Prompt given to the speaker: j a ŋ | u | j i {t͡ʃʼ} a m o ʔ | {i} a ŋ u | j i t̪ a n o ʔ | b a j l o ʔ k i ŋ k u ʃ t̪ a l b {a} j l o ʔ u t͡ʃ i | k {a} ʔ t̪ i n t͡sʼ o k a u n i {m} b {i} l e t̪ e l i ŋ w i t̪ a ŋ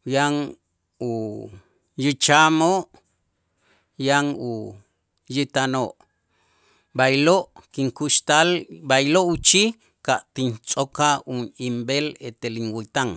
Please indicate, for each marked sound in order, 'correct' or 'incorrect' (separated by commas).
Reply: incorrect, incorrect, correct, correct, correct, incorrect